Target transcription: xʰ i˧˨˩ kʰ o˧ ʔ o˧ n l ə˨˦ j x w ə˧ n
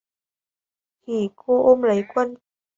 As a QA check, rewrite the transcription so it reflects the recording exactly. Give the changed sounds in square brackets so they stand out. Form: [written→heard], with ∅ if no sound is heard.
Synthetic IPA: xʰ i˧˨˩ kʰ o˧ ʔ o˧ [n→m] l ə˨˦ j [x→k] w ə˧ n